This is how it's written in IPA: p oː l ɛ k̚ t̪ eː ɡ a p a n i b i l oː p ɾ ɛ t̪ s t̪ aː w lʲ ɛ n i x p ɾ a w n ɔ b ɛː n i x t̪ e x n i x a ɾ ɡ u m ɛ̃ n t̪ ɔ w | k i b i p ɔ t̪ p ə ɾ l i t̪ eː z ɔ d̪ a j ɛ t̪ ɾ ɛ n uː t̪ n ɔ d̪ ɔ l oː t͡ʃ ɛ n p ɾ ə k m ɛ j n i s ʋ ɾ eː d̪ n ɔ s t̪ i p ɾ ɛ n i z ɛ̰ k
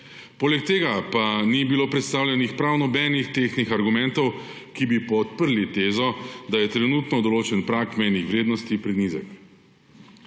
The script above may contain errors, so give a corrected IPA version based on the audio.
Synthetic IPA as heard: p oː l ɛ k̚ t̪ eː ɡ a p a n i b i l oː p ɾ ɛ t̪ s t̪ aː w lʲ ɛ n i x p ɾ a w n ɔ b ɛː n i x t̪ e x n i x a ɾ ɡ u m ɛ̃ n t̪ ɔ w | k i b i p ɔ t̪ p ə ɾ l i t̪ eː z ɔ d̪ a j ɛ t̪ ɾ ɛ n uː t̪ n ɔ d̪ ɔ l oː t͡ʃ ɛ n p ɾ a k m ɛ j n i x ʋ ɾ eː d̪ n ɔ s t̪ i p ɾ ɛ n i z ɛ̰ k